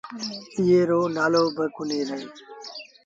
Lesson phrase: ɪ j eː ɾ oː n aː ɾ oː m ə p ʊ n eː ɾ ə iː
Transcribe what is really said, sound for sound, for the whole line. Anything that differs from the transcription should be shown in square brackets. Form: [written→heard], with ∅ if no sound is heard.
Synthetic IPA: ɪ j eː ɾ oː n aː [ɾ→l] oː [m→b] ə [p→k] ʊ n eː ɾ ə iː